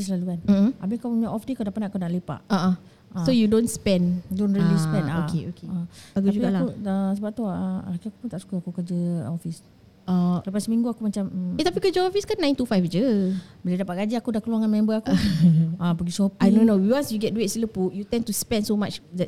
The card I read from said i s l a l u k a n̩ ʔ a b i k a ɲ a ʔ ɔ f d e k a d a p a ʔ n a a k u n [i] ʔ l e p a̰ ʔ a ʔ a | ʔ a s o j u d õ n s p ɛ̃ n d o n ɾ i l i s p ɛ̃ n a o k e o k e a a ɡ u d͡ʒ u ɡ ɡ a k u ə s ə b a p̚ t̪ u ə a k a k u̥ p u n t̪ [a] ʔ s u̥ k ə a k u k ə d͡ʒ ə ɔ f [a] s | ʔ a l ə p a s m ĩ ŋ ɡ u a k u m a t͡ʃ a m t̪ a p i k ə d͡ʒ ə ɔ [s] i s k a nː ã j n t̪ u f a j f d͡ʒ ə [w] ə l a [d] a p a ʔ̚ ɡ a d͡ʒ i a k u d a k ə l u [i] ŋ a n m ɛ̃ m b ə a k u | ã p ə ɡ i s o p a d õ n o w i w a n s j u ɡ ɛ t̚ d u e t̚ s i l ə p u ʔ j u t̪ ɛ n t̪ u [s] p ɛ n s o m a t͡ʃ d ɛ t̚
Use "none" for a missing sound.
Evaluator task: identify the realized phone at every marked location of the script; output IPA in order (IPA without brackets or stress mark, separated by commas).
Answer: a, a, i, f, b, d, a, s